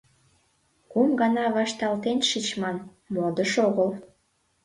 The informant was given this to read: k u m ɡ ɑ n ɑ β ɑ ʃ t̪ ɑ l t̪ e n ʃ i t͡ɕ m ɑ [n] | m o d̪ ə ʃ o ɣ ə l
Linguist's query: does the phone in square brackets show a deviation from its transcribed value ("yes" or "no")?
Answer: no